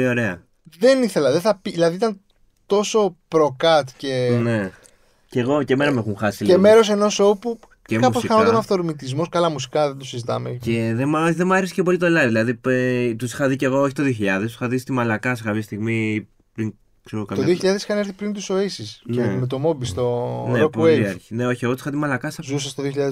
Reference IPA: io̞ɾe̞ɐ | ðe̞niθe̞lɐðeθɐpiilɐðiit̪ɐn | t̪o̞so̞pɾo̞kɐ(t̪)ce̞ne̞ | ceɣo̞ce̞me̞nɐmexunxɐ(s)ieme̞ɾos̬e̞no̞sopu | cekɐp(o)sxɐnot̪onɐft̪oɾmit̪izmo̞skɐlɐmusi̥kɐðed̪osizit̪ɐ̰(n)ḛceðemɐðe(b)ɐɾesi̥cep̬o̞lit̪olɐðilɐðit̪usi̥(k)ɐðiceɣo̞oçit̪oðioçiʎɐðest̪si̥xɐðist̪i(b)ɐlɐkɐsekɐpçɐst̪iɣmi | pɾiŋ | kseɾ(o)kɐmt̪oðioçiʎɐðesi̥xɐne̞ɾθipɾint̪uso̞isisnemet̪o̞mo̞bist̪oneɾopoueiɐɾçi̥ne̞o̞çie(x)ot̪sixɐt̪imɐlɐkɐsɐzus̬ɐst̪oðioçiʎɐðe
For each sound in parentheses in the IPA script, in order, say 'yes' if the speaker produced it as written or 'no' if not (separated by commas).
yes, yes, yes, no, no, no, no, yes, no